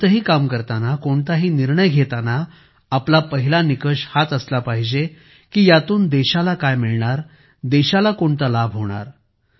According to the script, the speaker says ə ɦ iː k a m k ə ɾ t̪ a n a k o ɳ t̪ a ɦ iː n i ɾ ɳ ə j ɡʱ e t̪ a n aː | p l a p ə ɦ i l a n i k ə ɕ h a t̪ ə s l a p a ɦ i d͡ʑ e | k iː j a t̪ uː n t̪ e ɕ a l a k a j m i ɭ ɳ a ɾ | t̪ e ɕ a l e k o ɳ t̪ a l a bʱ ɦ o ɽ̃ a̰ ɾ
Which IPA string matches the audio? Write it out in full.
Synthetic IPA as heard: ə ɦ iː k a m k ə ɾ t̪ a n a k o ɳ t̪ a ɦ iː n i ɾ ɳ ə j ɡʱ e t̪ a n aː | p l a p ə ɦ i l a n i k ə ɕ h a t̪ ə s l a p a ɦ i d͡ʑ e | k iː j a t̪ uː n d̪ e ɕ a l a k a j m i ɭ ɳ a ɾ | d̪ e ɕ a l a k o ɳ t̪ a l a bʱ ɦ o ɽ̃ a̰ ɾ